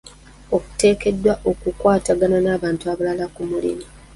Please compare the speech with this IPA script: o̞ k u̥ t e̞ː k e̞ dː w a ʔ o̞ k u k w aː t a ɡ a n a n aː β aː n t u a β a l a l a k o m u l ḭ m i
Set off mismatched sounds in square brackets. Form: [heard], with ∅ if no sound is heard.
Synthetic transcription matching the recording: o̞ k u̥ t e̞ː k e̞ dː w a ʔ o̞ k u k w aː t a ɡ a n a n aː β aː n t u a β a l a l a k [u] m u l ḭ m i